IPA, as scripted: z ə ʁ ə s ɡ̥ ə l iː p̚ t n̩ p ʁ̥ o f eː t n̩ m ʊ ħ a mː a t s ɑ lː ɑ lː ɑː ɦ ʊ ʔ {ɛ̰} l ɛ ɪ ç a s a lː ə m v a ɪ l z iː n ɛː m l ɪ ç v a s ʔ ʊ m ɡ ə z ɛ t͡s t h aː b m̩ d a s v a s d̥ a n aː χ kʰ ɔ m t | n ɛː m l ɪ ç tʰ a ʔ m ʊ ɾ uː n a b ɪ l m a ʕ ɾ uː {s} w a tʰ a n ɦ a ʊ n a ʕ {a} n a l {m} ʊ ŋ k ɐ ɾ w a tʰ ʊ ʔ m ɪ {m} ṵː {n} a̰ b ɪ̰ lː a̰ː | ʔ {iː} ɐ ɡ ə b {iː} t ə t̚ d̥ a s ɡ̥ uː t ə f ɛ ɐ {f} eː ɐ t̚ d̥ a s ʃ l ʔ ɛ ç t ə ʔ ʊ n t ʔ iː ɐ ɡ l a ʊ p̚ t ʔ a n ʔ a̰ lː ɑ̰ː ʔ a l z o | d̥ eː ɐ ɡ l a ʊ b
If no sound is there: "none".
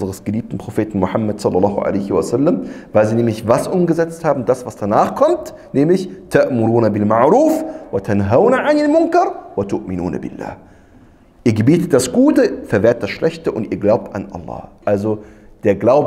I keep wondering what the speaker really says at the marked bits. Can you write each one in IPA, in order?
a̰, f, a, m, n, n, iː, iː, v

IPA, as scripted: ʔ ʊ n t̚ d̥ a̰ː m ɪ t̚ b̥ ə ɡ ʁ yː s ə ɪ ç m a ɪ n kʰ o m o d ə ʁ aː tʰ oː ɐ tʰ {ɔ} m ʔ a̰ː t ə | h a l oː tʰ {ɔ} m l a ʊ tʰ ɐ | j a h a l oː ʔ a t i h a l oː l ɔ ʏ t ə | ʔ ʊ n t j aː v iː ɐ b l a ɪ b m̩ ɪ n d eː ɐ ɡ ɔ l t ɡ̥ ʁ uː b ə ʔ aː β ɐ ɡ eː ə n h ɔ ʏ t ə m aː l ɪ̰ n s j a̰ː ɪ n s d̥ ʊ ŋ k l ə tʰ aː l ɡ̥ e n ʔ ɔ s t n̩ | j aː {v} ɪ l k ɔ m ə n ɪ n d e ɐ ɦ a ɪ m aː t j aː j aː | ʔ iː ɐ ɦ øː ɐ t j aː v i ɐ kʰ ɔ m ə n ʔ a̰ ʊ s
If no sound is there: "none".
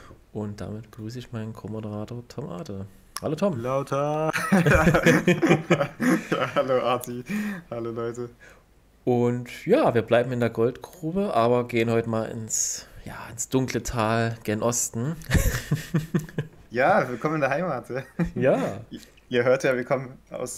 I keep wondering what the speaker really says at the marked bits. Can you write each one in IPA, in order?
ɔ, ɔ, v

